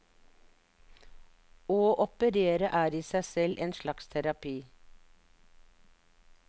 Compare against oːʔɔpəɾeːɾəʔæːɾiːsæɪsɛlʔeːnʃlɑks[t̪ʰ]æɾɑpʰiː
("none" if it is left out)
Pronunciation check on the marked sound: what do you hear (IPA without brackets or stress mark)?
t̪ʰ